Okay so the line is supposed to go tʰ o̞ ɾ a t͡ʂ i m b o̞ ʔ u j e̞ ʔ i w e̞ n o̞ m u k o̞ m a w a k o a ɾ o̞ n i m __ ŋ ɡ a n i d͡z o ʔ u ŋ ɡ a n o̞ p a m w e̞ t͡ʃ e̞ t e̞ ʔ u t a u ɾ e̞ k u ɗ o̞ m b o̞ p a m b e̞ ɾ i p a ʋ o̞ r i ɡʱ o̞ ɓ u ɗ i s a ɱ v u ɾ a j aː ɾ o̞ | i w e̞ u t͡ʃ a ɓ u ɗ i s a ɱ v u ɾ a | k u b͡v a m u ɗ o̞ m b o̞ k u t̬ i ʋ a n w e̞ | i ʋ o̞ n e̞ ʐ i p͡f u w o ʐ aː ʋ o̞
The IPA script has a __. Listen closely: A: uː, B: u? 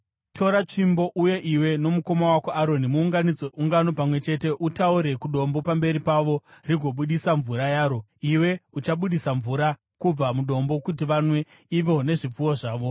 A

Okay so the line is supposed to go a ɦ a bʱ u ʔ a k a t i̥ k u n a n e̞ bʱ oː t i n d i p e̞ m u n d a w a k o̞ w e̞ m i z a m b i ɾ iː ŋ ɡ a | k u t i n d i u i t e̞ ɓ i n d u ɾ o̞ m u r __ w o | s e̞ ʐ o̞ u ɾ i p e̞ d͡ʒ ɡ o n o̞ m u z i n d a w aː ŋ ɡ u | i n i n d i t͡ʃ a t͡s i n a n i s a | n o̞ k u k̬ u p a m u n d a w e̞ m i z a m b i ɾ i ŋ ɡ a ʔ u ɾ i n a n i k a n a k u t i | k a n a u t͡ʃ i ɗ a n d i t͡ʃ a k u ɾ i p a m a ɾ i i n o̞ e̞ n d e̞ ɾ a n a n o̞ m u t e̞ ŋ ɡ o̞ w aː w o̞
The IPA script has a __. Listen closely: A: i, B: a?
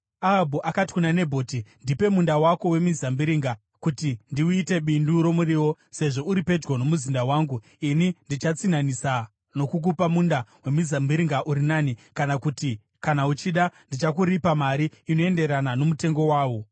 A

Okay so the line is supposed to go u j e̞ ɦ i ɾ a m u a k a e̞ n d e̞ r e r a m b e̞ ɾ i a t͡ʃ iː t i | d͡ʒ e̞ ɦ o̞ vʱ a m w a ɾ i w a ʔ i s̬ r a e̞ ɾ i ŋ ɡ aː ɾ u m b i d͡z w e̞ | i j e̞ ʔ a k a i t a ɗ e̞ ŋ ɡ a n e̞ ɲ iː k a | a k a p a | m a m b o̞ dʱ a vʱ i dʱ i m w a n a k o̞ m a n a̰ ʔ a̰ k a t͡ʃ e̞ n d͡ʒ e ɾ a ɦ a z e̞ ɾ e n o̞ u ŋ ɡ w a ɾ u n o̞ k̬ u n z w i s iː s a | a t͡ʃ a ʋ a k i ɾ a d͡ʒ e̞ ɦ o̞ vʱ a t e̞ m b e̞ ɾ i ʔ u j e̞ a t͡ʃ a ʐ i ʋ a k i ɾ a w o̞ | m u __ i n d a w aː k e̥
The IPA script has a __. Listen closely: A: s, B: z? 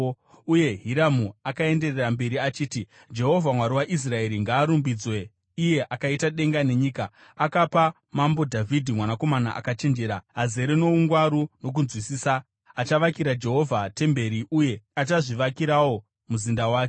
B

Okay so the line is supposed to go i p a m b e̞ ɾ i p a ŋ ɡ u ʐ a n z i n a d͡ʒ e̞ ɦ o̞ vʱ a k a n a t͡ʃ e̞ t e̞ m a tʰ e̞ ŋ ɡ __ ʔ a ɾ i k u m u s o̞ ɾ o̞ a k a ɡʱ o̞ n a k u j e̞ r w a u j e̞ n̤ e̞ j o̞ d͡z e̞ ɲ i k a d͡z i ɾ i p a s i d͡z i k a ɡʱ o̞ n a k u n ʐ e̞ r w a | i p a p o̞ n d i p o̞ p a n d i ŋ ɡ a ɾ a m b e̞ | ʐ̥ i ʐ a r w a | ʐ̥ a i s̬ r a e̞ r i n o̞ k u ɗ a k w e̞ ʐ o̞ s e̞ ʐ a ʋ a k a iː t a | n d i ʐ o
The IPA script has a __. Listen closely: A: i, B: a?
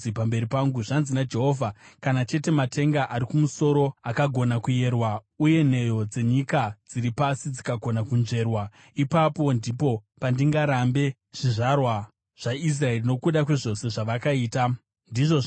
B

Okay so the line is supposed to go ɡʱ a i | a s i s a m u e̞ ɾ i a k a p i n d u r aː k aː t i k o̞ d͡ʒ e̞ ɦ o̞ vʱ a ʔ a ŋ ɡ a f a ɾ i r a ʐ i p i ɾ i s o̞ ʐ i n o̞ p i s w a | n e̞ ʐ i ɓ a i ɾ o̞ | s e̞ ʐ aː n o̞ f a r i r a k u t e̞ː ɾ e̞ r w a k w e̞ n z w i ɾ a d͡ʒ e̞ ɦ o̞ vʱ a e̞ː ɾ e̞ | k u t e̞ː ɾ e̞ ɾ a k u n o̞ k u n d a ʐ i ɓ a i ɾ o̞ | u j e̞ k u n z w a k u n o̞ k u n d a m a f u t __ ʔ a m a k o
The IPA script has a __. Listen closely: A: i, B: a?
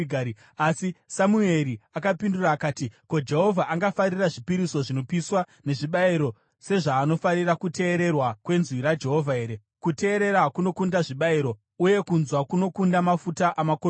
B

